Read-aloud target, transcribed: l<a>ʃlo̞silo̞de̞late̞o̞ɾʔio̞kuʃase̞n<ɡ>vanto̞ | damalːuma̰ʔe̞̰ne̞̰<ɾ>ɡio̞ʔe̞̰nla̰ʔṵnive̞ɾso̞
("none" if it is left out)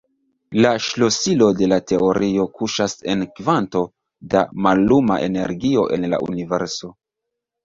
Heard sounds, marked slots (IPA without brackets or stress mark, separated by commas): a, k, ɾ